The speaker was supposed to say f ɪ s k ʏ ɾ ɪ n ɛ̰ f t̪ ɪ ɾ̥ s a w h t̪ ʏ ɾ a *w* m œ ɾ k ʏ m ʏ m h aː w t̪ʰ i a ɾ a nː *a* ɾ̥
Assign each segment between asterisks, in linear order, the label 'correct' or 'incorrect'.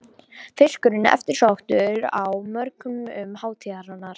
correct, correct

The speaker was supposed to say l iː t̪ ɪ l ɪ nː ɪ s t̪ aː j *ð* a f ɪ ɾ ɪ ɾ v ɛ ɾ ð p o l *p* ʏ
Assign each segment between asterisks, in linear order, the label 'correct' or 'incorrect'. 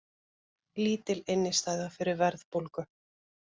correct, incorrect: k

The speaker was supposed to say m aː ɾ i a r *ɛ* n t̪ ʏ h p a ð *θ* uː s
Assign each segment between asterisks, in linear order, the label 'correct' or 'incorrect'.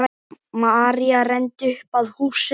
correct, incorrect: h

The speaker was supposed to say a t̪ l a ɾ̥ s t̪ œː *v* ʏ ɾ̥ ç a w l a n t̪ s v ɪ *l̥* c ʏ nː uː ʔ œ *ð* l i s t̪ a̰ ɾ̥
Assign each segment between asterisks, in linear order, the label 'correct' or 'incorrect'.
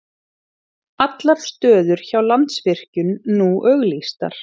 incorrect: ð, incorrect: r̥, incorrect: ɣ

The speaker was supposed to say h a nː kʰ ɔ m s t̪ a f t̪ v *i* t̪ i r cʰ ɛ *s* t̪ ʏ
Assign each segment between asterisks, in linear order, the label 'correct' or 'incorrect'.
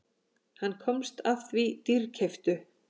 correct, incorrect: f

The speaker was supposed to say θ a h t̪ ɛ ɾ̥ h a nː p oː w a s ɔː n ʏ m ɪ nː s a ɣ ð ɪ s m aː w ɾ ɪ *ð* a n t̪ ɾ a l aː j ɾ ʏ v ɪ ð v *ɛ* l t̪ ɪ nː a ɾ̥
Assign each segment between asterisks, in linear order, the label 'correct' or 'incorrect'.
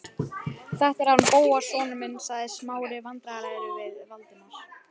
incorrect: v, incorrect: a

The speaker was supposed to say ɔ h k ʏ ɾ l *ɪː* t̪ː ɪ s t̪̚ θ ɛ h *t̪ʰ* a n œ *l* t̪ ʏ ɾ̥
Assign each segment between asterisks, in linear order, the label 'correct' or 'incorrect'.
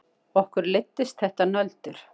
incorrect: ɪ, incorrect: t̪, correct

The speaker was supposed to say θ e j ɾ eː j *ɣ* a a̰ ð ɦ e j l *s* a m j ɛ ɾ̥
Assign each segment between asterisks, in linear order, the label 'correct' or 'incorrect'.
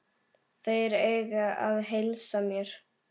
correct, correct

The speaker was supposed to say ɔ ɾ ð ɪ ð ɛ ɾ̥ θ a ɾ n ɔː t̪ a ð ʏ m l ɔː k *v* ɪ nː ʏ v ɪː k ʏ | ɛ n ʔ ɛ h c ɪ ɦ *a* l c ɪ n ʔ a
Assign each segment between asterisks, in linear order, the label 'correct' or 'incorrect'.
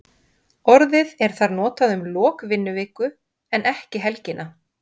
correct, incorrect: ɛ

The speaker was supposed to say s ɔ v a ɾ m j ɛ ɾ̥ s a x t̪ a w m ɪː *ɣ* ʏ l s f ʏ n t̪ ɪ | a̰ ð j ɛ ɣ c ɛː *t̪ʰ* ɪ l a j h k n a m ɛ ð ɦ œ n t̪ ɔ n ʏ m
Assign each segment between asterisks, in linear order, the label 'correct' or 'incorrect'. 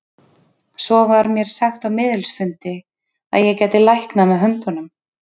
incorrect: ð, incorrect: t̪

